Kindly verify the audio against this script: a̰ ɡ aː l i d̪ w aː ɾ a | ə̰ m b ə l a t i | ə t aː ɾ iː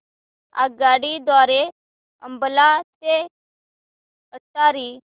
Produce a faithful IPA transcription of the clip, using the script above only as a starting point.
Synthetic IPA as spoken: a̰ ɡ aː ɽ i d̪ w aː ɾ e | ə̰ m b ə l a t e | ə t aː ɾ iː